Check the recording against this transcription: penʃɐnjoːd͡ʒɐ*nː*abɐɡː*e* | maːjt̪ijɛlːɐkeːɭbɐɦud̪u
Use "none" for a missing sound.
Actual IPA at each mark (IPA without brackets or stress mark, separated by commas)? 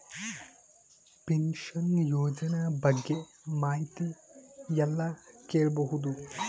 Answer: n, e